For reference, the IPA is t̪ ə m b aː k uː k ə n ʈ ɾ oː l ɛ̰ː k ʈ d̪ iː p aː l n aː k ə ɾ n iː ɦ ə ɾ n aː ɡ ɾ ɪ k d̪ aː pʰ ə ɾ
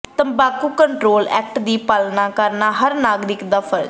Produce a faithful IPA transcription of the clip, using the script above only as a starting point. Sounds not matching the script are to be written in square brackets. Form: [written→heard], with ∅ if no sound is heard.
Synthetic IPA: t̪ ə m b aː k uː k ə [n→ɳ] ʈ ɾ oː l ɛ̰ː k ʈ d̪ iː p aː l n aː k ə ɾ n [iː→aː] ɦ ə ɾ n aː ɡ ɾ ɪ k d̪ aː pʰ ə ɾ